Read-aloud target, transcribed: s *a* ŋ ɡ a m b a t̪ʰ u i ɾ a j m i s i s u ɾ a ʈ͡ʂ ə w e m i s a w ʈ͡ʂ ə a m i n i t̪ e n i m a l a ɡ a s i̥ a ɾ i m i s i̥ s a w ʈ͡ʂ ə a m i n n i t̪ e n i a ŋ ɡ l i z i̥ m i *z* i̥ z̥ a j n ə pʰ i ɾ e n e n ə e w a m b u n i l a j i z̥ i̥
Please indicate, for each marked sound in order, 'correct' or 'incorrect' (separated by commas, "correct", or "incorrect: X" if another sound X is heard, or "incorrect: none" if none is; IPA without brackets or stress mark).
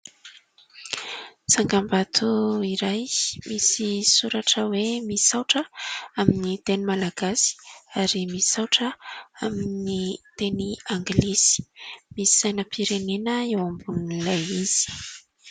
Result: correct, incorrect: s